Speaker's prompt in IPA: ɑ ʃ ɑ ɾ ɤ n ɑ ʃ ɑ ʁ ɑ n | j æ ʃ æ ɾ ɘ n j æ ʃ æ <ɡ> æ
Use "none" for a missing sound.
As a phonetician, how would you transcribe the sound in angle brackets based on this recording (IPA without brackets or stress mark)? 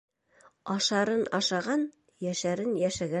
ɡ